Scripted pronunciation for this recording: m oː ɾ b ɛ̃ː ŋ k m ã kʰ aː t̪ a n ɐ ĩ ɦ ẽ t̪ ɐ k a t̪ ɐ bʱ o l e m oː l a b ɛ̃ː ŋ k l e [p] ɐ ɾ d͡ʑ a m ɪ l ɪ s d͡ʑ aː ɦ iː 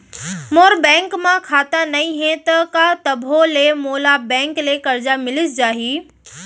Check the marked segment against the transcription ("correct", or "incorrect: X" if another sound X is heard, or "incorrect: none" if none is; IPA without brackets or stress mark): incorrect: k